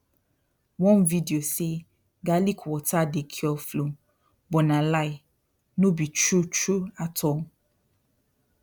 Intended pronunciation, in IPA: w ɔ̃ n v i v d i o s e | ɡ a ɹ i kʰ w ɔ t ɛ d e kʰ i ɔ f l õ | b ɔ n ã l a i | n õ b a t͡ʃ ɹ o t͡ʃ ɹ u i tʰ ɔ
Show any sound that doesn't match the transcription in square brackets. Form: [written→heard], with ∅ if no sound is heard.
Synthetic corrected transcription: w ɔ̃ n v i [v→∅] d i o s e | ɡ a [ɹ→l] i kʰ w ɔ t [ɛ→a] d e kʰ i ɔ f l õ | b ɔ n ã l a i | n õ b [a→i] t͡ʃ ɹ [o→u] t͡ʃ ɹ u [i→a] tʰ ɔ